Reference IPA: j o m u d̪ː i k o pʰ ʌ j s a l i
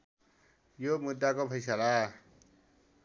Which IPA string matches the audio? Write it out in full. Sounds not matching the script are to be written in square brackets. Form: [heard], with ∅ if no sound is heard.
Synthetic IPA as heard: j o m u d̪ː [a] k o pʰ ʌ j s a l [a]